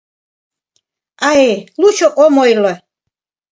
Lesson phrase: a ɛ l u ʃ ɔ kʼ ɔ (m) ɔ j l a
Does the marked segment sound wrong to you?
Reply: no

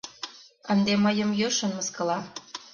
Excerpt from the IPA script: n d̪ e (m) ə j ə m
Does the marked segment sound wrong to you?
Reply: no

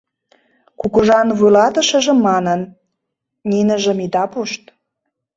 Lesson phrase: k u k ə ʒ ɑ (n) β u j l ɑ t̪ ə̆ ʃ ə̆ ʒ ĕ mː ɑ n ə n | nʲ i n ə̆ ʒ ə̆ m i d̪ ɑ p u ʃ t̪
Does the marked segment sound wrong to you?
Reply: no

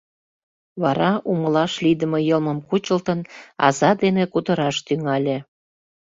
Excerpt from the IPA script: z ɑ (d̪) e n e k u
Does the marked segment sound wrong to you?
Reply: no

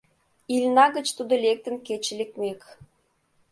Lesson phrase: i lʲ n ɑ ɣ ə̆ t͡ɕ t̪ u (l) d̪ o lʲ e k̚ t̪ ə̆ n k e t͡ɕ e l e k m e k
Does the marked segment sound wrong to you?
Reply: yes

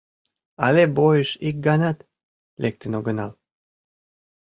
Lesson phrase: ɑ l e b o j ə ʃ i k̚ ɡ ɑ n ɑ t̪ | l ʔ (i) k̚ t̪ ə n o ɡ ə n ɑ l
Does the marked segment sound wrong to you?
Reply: yes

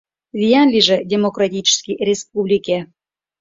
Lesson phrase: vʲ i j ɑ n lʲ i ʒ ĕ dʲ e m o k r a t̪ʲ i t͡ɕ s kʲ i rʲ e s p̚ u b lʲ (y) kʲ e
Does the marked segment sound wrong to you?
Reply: yes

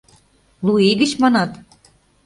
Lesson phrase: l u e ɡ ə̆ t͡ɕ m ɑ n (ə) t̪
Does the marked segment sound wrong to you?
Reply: yes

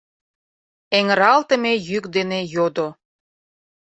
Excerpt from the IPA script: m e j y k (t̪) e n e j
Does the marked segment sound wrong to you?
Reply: yes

